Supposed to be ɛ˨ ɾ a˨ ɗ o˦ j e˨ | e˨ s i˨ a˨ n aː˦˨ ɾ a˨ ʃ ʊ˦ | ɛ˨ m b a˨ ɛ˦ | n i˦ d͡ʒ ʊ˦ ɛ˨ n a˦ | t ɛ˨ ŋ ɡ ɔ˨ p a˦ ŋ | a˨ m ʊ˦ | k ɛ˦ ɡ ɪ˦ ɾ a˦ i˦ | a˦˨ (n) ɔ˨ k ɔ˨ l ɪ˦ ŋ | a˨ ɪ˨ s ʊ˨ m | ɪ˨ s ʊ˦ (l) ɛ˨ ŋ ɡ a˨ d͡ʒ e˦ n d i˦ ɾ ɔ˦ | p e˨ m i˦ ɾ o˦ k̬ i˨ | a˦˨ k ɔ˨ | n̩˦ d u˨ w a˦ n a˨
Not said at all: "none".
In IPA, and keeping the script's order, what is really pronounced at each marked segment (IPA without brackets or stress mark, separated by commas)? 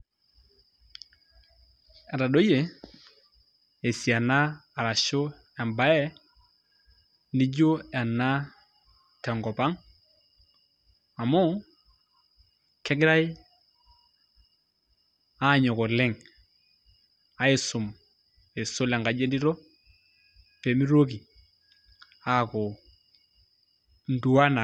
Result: ɲ, l